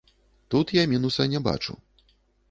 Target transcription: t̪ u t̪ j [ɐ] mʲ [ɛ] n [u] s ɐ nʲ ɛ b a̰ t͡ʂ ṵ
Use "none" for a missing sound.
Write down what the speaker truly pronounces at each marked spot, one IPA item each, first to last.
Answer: a, i, u

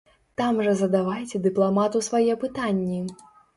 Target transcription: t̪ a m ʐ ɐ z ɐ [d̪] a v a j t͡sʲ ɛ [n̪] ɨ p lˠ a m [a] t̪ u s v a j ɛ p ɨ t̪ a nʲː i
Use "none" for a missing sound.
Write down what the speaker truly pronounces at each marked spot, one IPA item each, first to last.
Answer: d̪, d̪, a

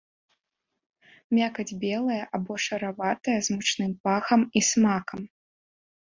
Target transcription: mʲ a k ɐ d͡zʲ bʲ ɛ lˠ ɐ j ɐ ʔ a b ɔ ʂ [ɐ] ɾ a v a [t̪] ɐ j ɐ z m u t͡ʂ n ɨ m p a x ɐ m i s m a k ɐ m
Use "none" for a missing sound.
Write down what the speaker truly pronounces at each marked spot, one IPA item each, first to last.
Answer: ɐ, t̪

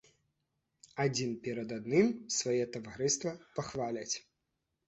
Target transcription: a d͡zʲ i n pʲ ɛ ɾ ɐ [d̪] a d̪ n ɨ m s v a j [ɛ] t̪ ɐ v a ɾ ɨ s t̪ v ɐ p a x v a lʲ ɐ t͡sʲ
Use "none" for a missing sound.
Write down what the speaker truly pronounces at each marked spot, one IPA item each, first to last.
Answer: d̪, ɛ

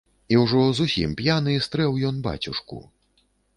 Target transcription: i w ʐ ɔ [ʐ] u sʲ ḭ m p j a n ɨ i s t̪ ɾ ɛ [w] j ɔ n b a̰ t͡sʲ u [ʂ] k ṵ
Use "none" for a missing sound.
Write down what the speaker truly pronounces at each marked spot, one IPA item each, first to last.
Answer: z, w, ʂ

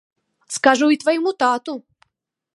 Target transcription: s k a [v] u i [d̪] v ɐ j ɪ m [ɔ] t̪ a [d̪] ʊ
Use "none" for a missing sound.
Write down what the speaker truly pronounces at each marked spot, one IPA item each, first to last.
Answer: ʐ, t̪, u, t̪

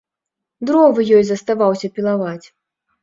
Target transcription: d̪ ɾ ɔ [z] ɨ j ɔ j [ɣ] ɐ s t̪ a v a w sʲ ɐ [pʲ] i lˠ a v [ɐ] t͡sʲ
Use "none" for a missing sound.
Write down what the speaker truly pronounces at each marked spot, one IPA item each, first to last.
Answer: v, z, pʲ, a

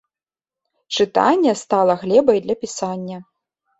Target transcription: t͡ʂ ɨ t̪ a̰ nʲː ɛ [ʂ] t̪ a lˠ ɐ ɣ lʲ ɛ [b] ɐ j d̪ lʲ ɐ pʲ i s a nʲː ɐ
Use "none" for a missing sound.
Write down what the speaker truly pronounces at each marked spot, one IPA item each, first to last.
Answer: s, b

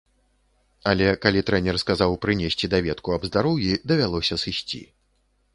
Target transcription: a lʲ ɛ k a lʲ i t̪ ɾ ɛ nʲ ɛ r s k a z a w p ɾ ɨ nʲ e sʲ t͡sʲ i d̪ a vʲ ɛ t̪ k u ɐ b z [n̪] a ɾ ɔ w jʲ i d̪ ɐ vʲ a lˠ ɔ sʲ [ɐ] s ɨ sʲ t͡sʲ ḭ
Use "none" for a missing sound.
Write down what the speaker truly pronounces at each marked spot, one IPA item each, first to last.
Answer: d̪, ɐ

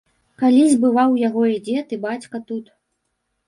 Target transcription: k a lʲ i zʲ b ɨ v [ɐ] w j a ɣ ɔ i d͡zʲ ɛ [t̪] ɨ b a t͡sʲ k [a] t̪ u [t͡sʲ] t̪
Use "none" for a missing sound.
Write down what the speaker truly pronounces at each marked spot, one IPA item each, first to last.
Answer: a, t̪, ɐ, none

